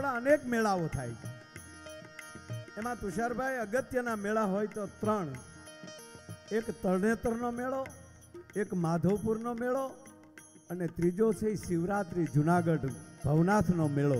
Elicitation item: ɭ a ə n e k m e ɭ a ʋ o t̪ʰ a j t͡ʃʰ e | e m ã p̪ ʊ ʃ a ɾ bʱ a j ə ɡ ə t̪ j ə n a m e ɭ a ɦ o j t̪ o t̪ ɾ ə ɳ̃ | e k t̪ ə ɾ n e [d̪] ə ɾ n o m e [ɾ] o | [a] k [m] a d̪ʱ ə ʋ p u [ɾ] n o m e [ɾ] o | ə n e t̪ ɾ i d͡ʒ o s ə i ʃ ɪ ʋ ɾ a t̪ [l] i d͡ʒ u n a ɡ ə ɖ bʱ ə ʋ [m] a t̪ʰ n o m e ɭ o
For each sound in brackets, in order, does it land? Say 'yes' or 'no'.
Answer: no, no, no, yes, yes, no, no, no

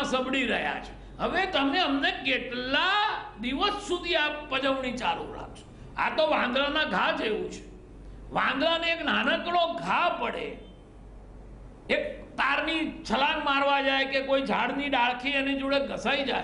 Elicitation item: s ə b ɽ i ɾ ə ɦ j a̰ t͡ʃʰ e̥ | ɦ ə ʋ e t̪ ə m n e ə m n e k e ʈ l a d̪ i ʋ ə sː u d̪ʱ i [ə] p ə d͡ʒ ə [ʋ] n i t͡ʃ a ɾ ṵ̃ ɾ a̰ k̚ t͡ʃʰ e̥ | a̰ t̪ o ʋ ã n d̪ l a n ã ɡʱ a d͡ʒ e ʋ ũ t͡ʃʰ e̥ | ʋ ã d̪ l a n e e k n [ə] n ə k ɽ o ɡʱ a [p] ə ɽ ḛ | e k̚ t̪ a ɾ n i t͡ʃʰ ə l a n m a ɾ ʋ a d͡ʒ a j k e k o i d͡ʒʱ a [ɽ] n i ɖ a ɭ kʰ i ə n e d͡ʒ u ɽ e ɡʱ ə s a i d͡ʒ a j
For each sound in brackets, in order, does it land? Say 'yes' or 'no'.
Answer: no, yes, no, yes, yes

